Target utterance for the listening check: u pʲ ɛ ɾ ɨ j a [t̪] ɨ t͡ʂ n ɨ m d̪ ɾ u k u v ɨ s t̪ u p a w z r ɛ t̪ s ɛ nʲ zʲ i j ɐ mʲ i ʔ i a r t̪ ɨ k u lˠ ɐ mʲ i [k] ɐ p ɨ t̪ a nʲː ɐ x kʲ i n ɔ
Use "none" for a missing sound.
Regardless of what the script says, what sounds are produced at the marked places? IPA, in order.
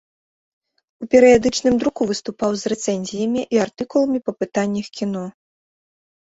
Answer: d̪, p

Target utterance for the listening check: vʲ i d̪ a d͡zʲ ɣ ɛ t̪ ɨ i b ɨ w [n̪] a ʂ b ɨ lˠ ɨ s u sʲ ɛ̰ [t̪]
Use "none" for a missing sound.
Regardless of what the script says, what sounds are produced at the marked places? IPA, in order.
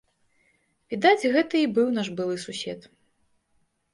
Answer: n̪, t̪

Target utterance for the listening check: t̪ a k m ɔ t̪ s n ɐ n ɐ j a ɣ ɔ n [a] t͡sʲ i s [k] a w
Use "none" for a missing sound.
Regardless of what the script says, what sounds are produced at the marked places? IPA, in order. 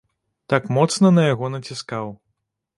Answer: ɐ, k

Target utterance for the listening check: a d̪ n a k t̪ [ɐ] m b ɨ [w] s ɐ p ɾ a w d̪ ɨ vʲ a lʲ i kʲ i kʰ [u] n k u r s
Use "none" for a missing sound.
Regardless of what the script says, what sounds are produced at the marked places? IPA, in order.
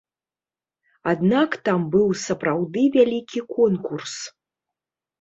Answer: a, w, ɔ

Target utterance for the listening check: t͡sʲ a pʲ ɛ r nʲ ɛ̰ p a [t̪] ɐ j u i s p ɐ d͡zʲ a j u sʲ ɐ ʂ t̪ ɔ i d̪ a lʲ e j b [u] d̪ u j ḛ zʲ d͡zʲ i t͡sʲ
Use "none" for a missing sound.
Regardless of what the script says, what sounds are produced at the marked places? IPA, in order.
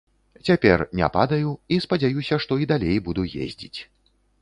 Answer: d̪, u

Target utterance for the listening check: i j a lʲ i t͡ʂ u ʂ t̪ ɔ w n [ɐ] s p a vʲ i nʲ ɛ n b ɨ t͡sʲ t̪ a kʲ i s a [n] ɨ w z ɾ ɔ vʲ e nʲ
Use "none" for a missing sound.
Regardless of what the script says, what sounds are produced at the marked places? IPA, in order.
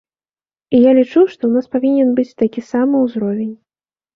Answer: a, m

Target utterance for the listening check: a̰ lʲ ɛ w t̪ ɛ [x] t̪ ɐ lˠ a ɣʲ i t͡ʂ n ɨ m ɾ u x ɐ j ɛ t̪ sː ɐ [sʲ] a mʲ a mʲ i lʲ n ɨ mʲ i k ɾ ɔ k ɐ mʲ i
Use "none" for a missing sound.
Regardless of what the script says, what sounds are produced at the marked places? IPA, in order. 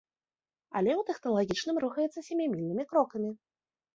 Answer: x, sʲ

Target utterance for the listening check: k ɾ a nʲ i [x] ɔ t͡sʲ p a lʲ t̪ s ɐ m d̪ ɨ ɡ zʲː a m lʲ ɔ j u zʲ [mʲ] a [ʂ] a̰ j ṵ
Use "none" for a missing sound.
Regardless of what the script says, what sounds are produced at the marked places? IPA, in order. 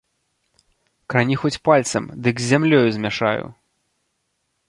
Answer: x, mʲ, ʂ

